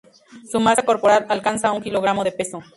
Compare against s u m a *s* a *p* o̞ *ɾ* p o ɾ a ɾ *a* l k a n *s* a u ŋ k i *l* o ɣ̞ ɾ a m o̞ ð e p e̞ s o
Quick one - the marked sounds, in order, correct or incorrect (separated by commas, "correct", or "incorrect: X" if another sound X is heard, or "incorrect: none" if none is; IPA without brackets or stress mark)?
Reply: correct, incorrect: k, correct, correct, correct, correct